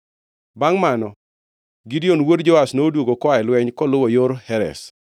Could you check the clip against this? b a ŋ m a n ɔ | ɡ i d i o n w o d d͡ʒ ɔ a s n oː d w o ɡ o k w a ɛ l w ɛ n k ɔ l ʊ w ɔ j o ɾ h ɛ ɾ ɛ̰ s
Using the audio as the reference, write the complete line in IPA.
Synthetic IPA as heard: b a ŋ m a n ɔ | ɡ i d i o n w o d d͡ʒ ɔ a s n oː d w o ɡ o k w a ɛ l w ɛ ɲ k ɔ l ʊ w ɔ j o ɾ h ɛ ɾ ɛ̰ s